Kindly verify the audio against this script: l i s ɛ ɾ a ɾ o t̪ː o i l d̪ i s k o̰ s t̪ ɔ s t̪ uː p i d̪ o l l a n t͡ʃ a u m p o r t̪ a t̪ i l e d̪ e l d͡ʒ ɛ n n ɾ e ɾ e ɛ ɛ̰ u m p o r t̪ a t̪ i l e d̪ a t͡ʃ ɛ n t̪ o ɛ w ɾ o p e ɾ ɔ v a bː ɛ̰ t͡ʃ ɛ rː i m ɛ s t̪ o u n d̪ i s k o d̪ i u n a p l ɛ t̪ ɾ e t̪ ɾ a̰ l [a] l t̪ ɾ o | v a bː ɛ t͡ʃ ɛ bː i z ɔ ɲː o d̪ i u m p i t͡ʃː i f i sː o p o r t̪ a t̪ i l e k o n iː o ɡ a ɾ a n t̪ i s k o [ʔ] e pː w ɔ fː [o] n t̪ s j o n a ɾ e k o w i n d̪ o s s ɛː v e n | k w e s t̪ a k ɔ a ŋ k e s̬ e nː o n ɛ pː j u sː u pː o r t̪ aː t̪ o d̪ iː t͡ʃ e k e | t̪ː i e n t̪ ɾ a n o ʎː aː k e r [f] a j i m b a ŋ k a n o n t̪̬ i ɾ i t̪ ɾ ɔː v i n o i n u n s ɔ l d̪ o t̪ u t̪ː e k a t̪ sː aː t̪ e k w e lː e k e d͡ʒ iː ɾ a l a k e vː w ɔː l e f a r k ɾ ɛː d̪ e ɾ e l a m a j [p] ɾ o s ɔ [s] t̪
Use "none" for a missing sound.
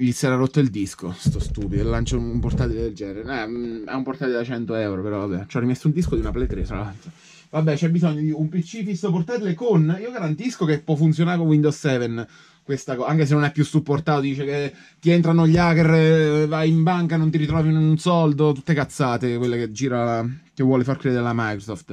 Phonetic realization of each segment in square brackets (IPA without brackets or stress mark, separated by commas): a, k, u, v, k, f